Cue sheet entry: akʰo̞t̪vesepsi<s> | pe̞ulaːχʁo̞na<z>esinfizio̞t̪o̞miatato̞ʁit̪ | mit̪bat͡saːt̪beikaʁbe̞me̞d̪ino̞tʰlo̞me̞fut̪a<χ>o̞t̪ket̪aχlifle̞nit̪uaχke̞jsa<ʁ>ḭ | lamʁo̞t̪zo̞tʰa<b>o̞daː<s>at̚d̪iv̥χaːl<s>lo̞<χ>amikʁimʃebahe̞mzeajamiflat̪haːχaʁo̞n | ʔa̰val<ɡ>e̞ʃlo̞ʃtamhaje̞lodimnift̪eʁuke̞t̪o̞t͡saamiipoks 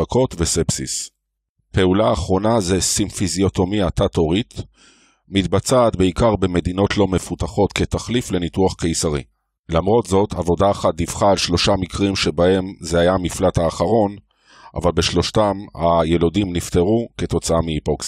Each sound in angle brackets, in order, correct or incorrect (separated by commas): correct, correct, correct, correct, incorrect, incorrect, incorrect, incorrect, incorrect